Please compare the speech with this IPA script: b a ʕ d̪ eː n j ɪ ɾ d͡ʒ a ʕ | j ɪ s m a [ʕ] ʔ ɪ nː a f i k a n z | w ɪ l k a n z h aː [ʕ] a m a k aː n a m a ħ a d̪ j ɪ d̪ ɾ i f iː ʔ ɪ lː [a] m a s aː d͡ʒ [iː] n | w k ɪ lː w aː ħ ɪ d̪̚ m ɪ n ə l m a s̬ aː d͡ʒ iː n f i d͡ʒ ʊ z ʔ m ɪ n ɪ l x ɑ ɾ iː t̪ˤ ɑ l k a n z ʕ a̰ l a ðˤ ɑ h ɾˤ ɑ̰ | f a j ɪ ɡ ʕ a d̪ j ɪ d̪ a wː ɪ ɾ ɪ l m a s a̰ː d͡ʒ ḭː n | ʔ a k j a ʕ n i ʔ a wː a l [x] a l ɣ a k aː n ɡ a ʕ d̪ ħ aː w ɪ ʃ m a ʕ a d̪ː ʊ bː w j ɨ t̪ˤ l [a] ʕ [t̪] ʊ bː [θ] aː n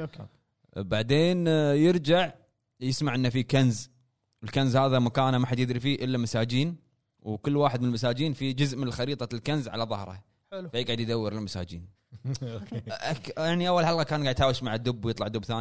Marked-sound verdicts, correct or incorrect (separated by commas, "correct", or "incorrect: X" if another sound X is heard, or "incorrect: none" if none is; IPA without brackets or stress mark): correct, incorrect: ð, correct, correct, incorrect: ħ, incorrect: ɑ, incorrect: d̪, correct